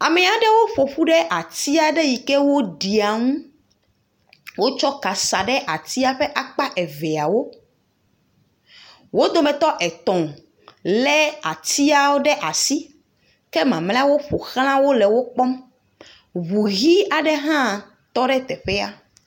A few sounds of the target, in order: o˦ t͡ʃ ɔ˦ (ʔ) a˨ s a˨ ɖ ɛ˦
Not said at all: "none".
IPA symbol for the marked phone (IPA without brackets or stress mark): k